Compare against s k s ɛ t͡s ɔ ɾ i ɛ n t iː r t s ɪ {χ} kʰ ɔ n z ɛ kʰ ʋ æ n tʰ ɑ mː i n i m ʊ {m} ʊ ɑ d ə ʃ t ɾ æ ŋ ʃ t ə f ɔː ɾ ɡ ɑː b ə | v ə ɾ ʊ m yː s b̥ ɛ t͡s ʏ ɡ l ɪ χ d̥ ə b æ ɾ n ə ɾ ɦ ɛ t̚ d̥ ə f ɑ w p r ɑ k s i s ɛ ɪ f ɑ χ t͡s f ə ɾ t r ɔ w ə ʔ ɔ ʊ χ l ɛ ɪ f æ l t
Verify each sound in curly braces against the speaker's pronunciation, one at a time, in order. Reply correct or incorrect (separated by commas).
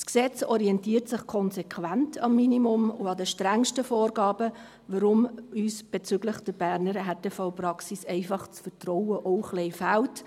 correct, correct